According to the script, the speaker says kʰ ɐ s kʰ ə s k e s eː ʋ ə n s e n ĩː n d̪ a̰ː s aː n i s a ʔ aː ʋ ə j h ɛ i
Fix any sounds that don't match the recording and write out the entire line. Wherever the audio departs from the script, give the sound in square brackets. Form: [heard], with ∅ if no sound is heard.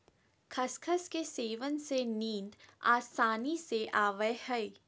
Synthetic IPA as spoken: kʰ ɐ s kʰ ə s k e s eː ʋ ə n s e n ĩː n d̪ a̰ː s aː n i s [e] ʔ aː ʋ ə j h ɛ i